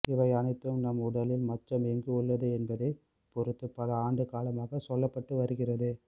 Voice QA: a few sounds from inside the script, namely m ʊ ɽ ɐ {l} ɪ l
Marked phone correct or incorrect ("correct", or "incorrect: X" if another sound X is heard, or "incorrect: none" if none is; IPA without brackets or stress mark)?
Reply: correct